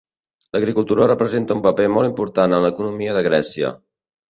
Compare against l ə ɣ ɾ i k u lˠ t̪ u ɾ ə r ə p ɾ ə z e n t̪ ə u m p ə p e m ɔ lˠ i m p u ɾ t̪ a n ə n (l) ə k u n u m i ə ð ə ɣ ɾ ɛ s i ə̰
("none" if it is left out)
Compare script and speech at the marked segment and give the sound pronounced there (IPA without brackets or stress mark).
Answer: l